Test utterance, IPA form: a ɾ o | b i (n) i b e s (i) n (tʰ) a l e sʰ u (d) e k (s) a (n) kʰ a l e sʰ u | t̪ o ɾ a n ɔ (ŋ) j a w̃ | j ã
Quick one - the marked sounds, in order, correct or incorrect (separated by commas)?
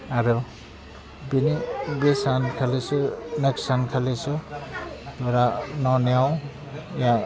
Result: correct, incorrect, incorrect, incorrect, correct, correct, incorrect